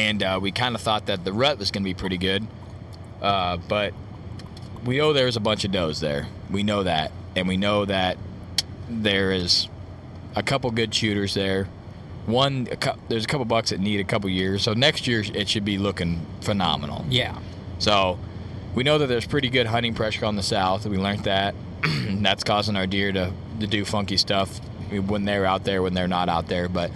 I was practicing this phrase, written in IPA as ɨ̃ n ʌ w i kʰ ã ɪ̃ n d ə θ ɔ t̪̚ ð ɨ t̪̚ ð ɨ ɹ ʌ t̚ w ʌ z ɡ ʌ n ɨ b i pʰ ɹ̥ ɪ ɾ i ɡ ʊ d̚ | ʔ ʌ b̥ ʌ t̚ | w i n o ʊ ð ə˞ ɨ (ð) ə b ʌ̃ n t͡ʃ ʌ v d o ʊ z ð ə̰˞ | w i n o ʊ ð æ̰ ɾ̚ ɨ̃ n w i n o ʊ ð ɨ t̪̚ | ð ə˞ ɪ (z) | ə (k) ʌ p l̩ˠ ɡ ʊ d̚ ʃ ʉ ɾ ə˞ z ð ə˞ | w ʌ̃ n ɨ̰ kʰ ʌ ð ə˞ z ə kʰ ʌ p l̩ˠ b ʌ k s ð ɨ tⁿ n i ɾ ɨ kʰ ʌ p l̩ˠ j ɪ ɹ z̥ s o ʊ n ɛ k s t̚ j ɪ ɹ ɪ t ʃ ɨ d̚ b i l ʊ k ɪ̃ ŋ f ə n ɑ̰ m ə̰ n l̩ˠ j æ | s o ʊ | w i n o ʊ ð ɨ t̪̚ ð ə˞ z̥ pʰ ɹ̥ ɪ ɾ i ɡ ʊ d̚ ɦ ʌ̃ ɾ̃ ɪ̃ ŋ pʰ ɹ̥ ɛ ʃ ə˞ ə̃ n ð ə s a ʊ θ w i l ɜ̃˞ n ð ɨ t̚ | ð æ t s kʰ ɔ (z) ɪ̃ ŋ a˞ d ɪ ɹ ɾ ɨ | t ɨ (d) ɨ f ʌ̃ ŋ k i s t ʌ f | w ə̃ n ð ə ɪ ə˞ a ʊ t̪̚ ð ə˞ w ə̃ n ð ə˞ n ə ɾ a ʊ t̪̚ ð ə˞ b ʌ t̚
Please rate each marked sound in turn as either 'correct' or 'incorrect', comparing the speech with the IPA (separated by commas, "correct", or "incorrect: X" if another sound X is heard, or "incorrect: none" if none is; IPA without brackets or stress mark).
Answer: incorrect: z, correct, incorrect: kʰ, correct, correct